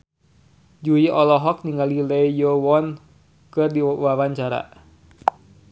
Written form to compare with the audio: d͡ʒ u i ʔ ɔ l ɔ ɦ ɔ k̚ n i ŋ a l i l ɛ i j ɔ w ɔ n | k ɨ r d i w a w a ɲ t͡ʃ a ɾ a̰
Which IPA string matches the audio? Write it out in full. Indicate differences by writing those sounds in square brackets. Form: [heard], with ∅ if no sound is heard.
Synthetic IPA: d͡ʒ u i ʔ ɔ l ɔ ɦ ɔ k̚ n i ŋ a l i l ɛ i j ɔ w ɔ n | k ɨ r d i w a w a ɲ t͡ʃ a ɾ a̰